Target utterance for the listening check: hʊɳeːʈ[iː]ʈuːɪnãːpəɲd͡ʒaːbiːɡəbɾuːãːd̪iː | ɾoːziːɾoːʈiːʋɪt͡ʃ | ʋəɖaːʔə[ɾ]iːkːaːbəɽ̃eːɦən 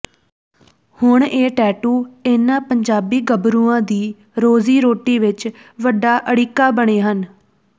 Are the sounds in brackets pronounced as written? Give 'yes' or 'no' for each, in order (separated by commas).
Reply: no, no